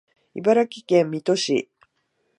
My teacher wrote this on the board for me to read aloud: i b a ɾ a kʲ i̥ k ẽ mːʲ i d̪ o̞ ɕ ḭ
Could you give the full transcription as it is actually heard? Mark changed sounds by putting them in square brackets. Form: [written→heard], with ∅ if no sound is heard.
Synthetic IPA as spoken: i b a ɾ a kʲ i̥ k ẽ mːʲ i [d̪→t̪] o̞ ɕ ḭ